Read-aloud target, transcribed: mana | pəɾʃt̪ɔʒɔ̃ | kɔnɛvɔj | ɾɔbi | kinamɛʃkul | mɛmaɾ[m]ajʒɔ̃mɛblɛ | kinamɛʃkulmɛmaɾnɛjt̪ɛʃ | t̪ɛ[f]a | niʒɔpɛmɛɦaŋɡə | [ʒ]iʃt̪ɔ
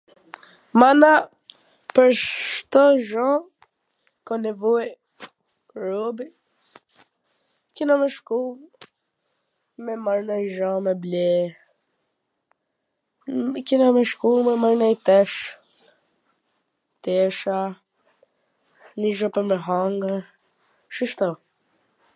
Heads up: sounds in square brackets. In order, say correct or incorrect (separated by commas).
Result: incorrect, incorrect, incorrect